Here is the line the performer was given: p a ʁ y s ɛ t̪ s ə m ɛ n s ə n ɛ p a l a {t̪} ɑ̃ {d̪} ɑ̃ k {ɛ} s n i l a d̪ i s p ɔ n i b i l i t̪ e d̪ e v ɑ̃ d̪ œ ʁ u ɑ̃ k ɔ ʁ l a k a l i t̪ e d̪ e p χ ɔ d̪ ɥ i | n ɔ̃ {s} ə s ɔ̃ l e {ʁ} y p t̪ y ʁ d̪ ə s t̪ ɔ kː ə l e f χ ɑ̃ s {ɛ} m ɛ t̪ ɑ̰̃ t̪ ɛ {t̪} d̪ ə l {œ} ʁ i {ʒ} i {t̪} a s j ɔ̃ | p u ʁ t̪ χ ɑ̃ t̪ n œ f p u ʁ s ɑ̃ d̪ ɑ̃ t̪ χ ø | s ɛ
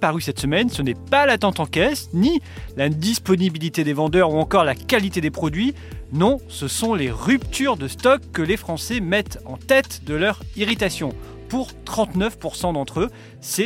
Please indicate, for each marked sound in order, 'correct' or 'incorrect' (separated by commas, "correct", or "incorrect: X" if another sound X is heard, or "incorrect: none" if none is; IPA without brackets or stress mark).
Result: correct, incorrect: t̪, correct, correct, correct, correct, correct, correct, incorrect: ʁ, correct